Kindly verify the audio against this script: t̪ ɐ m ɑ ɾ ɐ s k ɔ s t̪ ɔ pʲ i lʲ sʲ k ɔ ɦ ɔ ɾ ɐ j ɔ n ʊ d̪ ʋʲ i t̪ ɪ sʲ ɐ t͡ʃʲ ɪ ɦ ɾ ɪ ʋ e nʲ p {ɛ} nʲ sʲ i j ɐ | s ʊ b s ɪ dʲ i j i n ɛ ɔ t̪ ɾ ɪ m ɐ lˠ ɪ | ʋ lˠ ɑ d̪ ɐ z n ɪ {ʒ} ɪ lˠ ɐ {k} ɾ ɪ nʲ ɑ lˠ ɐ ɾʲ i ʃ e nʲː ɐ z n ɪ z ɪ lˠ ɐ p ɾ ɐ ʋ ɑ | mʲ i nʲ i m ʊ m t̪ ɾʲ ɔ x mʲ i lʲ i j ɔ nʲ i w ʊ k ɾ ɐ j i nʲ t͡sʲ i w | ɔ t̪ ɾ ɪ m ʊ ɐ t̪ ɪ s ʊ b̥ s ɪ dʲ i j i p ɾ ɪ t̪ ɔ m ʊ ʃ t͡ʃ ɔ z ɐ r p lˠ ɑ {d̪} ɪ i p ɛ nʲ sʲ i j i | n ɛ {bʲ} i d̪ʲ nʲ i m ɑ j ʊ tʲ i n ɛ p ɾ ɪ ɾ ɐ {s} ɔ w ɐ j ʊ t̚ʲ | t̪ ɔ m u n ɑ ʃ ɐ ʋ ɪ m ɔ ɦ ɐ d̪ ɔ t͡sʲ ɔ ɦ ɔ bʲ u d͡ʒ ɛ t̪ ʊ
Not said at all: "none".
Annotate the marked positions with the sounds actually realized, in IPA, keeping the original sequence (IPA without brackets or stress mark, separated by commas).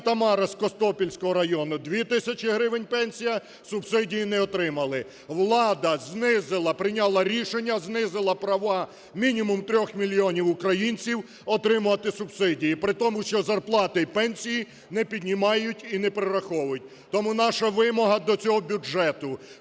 ɛ, z, p, t̪, pʲ, x